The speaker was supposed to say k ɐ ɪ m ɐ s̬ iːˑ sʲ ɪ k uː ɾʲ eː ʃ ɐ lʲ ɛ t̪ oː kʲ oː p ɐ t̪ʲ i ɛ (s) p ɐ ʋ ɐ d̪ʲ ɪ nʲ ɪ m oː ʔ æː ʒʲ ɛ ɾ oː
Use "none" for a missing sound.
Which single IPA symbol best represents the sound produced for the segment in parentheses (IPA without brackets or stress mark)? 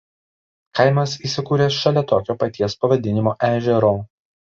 s